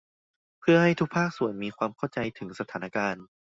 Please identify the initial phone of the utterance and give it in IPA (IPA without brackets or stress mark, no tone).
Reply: pʰ